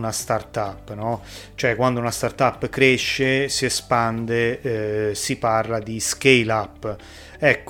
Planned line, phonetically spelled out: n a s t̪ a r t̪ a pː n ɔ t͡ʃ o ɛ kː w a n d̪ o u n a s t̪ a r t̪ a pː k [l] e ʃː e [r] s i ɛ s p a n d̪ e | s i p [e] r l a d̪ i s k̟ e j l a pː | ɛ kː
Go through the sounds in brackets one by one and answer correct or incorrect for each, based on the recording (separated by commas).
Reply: incorrect, incorrect, incorrect